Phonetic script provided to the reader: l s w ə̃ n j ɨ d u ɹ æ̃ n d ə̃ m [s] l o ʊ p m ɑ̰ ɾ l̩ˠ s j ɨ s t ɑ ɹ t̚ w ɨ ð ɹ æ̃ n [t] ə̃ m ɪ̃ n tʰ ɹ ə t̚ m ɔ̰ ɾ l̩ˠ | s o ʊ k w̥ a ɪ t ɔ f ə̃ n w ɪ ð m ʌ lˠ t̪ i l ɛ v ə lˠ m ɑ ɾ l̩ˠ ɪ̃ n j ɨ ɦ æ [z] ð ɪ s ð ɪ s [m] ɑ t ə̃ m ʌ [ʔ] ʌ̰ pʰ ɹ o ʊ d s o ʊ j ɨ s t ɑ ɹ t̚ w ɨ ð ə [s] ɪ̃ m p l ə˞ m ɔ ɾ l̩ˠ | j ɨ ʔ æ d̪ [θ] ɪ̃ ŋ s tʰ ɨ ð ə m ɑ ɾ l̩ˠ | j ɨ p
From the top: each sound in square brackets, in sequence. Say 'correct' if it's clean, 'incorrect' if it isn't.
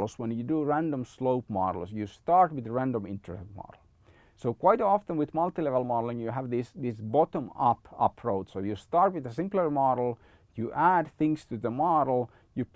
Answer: correct, incorrect: d, incorrect: v, incorrect: b, incorrect: p, correct, correct

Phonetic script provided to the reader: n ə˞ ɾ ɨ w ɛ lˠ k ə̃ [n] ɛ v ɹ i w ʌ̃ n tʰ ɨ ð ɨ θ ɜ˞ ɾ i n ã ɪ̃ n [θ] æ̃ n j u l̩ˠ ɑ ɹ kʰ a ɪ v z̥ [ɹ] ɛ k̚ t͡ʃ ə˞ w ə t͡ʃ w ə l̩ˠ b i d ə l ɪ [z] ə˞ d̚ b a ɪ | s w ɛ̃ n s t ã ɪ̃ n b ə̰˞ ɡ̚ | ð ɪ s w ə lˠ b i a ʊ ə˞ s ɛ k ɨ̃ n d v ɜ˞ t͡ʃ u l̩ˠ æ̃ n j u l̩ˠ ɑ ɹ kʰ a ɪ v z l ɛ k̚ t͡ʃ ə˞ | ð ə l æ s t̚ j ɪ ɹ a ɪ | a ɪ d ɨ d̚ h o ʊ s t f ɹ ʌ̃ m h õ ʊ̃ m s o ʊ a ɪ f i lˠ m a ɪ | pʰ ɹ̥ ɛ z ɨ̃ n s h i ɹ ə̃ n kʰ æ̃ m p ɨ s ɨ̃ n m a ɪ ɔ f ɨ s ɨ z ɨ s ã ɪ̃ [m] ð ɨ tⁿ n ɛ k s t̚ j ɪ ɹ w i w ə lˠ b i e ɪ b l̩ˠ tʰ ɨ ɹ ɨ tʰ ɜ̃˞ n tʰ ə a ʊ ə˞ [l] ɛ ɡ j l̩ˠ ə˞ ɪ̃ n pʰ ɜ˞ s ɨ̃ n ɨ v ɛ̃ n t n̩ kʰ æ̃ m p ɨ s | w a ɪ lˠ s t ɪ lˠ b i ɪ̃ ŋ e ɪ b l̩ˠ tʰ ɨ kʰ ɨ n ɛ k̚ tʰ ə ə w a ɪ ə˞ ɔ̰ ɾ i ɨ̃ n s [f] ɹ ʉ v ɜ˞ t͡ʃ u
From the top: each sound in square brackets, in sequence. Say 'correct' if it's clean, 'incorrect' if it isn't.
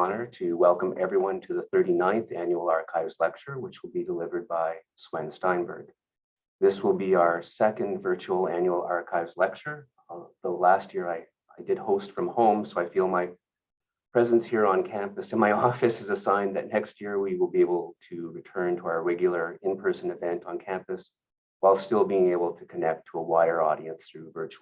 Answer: incorrect: m, correct, incorrect: l, incorrect: v, incorrect: n, incorrect: ɹ, incorrect: θ

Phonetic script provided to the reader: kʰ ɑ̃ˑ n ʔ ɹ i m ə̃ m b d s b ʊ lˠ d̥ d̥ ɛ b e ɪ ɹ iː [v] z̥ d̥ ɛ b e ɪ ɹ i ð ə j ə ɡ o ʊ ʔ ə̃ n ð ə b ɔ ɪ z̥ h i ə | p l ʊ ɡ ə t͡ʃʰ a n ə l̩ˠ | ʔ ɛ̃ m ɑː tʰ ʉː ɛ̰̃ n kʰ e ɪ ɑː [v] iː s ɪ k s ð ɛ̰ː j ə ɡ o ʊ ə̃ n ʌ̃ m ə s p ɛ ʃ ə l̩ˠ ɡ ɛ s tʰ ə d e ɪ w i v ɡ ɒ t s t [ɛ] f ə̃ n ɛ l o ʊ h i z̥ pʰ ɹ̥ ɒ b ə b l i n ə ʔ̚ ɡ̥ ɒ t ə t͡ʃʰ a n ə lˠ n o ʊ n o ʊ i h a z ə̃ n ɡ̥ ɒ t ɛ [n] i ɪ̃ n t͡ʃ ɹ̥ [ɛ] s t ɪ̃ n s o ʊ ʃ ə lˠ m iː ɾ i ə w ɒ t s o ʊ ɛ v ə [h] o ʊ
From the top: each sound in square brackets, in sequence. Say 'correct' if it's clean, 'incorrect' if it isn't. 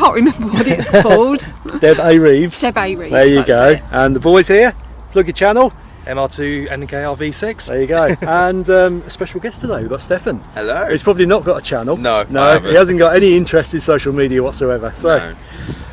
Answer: correct, correct, correct, correct, correct, incorrect: s

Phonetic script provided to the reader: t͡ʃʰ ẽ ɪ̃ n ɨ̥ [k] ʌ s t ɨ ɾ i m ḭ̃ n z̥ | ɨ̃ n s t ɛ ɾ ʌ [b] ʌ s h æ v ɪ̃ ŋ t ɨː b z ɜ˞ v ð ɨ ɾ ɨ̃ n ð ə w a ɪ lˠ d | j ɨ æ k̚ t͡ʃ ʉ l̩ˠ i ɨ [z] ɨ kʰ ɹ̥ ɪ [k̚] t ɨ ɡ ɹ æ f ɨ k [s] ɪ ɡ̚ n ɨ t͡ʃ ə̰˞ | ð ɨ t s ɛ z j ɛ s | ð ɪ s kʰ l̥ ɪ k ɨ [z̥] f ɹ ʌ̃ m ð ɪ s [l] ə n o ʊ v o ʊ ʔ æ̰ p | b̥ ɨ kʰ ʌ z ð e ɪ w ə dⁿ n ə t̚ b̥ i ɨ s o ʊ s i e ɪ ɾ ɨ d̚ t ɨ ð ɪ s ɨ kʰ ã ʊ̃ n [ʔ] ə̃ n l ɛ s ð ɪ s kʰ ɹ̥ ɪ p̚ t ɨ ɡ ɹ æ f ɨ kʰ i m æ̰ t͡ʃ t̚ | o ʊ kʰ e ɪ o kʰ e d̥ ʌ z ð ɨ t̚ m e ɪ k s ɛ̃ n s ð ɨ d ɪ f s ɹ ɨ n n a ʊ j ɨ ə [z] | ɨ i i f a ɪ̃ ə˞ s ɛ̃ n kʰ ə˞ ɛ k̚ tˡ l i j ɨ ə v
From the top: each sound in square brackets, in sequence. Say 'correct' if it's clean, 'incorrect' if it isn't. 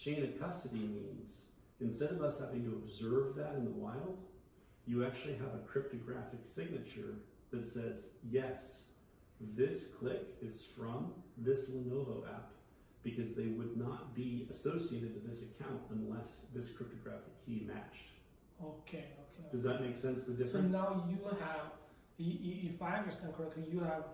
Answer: incorrect: kʰ, incorrect: v, incorrect: v, incorrect: p̚, correct, correct, correct, incorrect: t, incorrect: v

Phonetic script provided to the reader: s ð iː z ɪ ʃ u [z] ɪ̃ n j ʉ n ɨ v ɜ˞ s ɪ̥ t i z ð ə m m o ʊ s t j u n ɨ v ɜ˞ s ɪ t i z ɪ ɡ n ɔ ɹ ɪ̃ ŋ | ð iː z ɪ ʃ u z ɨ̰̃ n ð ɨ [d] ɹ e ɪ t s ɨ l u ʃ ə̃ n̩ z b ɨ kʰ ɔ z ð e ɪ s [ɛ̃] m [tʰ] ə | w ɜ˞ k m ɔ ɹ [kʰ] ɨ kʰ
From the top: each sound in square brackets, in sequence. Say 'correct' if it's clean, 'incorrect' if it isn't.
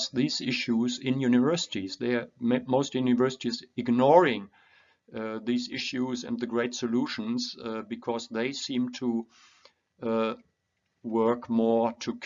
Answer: correct, incorrect: ɡ, incorrect: ĩ, correct, incorrect: tʰ

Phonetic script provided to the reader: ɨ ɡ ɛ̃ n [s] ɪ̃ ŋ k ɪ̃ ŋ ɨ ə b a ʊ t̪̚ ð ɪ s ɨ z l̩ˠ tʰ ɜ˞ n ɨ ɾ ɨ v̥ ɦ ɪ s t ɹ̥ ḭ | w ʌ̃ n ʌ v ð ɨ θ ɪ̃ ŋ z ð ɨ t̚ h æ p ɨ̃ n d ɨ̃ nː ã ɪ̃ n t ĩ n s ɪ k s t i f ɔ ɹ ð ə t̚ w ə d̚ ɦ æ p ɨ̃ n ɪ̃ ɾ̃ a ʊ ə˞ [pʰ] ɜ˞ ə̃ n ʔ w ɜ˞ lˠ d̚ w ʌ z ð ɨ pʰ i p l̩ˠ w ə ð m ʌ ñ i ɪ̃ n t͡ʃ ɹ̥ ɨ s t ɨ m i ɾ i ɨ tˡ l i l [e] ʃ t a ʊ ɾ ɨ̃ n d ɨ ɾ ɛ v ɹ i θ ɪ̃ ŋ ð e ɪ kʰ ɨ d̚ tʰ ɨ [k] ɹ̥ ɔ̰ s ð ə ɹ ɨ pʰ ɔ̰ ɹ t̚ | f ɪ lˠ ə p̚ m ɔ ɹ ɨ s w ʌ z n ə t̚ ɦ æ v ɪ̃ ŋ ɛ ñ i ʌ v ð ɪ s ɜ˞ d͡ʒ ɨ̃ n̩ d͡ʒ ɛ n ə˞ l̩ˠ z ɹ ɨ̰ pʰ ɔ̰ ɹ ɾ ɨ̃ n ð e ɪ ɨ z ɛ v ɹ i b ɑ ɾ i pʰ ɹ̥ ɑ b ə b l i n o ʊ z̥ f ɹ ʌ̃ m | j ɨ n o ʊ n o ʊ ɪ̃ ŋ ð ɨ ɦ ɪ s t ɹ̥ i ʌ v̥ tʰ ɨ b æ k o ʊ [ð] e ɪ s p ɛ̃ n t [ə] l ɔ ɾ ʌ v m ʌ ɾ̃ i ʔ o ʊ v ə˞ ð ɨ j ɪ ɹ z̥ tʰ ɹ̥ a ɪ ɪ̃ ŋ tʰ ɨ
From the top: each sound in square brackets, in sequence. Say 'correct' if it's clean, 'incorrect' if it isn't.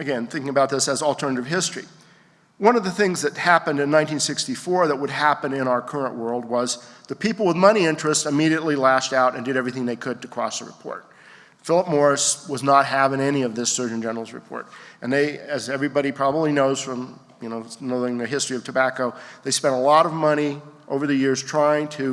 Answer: incorrect: θ, incorrect: kʰ, incorrect: æ, incorrect: kʰ, correct, correct

